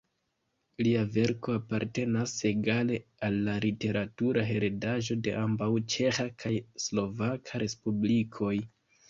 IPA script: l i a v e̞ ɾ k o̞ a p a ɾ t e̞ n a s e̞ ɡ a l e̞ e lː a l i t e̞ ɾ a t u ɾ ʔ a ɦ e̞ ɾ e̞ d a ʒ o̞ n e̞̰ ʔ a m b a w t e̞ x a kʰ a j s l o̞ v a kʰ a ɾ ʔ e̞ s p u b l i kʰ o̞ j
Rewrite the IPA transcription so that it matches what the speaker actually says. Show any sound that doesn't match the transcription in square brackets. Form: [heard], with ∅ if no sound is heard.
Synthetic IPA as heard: l i a v e̞ ɾ k o̞ a p a ɾ t e̞ n a s e̞ ɡ a l e̞ [a] lː a l i t e̞ ɾ a t u ɾ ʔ a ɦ e̞ ɾ e̞ d a ʒ o̞ [d] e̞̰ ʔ a m b a w [t͡ʃ] e̞ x a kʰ a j s l o̞ v a kʰ a ɾ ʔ e̞ s p u b l i kʰ o̞ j